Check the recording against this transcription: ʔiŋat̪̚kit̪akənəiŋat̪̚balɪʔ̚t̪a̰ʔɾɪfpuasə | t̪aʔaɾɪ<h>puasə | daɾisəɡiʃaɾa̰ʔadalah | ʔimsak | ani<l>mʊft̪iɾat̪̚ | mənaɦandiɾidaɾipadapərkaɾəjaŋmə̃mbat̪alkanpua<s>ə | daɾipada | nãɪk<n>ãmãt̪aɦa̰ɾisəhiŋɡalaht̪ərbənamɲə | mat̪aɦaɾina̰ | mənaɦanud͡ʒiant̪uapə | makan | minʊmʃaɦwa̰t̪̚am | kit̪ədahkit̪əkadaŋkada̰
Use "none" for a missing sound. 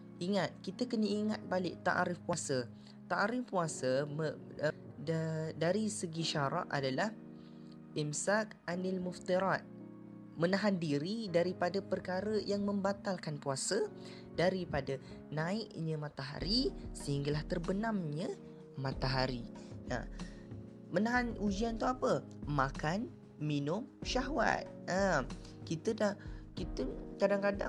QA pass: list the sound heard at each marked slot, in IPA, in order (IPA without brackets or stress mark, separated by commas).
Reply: f, l, s, ɲ